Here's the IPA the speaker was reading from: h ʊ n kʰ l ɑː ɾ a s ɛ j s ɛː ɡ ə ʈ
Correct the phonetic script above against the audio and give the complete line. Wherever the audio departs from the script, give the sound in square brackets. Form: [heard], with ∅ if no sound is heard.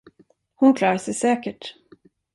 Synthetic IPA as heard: h ʊ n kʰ l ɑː ɾ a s ɛ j s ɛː [k] ə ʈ